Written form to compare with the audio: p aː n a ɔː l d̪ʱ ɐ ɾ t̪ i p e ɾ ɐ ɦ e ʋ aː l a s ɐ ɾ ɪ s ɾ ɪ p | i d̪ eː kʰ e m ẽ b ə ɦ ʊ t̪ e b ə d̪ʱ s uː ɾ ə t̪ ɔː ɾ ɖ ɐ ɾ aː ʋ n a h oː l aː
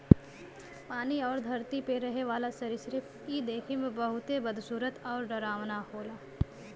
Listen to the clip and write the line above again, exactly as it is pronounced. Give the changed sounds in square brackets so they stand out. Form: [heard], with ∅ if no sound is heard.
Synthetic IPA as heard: p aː n [i] ɔː [ɾ] d̪ʱ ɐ ɾ t̪ i p e ɾ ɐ ɦ e ʋ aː l a s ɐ ɾ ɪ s ɾ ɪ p | i d̪ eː kʰ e m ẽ b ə ɦ ʊ t̪ e b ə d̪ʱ s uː ɾ ə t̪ ɔː ɾ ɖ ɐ ɾ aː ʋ n a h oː l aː